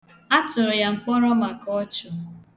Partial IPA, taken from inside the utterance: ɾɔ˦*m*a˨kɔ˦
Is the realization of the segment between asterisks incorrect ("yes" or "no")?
no